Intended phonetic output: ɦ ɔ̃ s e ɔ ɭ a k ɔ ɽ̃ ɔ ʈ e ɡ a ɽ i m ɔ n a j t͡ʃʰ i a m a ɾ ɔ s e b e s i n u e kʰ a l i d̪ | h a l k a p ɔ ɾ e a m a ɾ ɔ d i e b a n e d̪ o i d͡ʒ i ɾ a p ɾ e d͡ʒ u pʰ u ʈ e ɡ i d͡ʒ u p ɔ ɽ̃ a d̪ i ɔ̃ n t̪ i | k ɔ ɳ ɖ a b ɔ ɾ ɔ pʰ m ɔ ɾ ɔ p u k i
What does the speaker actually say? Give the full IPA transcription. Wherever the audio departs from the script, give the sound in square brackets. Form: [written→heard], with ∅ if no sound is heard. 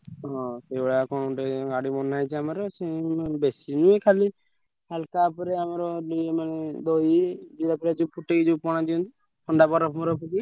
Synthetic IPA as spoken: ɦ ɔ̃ s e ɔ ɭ a k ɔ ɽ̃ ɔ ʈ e ɡ a ɽ i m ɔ n a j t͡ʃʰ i a m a ɾ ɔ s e b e s i n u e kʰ a l i [d̪→∅] | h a l k a p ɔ ɾ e a m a ɾ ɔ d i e [b→m] a n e d̪ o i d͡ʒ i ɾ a p ɾ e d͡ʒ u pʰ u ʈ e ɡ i d͡ʒ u p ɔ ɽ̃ a d̪ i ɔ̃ n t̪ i | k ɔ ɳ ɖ a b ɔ ɾ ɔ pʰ m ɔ ɾ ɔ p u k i

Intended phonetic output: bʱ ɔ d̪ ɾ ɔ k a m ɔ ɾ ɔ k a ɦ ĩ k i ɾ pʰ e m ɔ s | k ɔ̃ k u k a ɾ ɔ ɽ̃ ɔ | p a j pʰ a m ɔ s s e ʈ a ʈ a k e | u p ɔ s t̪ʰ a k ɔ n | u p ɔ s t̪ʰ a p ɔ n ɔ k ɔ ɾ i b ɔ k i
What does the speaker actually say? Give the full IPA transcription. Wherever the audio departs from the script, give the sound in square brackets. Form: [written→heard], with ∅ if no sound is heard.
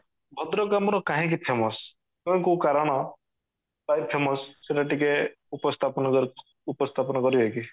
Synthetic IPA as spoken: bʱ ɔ d̪ ɾ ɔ k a m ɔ ɾ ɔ k a ɦ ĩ k i [ɾ→∅] pʰ e m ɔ s | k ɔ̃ k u k a ɾ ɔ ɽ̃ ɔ | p a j pʰ [a→e] m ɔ s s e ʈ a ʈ [a→i] k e | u p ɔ s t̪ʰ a [k→p] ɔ n | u p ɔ s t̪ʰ a p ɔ n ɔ k ɔ ɾ i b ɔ k i

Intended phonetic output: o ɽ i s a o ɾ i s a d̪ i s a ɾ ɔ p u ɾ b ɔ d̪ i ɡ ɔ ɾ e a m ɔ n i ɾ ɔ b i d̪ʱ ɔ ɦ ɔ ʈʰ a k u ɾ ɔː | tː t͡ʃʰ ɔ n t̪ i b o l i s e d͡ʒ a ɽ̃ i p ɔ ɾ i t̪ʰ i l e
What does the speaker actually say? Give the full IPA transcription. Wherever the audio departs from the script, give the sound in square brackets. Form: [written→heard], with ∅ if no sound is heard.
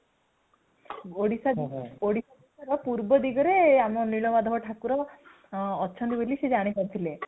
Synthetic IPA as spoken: o ɽ i s a o [ɾ→ɽ] i s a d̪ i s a ɾ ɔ p u ɾ b ɔ d̪ i ɡ ɔ ɾ e a m ɔ n i [ɾ→ɭ] ɔ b [i→a] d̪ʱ ɔ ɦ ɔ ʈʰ a k u ɾ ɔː | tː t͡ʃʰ ɔ n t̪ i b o l i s e d͡ʒ a ɽ̃ i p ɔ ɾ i t̪ʰ i l e

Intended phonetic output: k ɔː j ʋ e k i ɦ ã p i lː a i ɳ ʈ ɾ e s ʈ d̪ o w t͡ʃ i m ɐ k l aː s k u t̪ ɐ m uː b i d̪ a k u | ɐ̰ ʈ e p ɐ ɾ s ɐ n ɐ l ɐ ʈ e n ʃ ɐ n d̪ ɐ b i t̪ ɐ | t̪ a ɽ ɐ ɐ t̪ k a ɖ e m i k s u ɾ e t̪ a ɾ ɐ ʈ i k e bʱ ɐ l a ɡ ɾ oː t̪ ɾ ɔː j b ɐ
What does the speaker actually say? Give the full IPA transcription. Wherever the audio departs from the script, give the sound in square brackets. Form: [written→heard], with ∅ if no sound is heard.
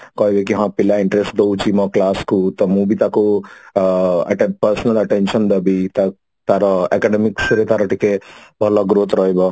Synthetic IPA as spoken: k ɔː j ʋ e k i ɦ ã p i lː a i ɳ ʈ ɾ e s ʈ d̪ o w t͡ʃ i m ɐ k l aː s k u t̪ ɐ m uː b i [d̪→t̪] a k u | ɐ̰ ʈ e p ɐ ɾ s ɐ n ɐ l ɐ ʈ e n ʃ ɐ n d̪ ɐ b i t̪ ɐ | t̪ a [ɽ→ɾ] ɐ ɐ [t̪→∅] k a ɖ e m i k s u ɾ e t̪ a ɾ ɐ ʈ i k e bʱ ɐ l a ɡ ɾ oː t̪ ɾ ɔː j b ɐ

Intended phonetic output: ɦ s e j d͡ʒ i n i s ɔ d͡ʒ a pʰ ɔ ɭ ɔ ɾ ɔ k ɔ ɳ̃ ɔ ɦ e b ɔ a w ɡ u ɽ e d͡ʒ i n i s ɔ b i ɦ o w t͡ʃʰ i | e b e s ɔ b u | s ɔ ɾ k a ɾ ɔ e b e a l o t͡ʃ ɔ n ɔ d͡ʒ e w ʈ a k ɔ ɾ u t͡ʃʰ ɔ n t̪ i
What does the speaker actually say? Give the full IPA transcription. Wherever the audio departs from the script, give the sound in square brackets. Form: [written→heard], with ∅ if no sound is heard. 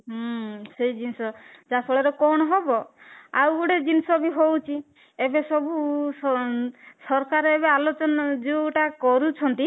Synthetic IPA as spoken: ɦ s e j d͡ʒ i n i s ɔ d͡ʒ a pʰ ɔ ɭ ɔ ɾ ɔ k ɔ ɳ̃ ɔ ɦ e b ɔ a w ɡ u ɽ e d͡ʒ i n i s ɔ b i ɦ o w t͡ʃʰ i | e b e s ɔ b u | s ɔ ɾ k a ɾ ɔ e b e a l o t͡ʃ ɔ n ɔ d͡ʒ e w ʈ a k ɔ ɾ u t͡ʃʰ ɔ n t̪ i

